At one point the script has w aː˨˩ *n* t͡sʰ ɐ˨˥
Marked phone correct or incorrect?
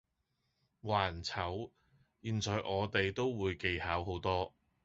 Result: correct